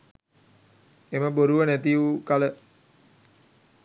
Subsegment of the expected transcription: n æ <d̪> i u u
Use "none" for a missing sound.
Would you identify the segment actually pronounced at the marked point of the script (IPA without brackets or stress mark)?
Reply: t̪